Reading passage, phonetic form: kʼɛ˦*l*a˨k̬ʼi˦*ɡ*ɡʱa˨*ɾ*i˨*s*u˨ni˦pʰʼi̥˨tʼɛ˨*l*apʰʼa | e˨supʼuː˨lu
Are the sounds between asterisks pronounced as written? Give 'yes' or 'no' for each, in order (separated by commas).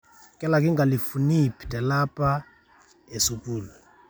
yes, no, no, no, yes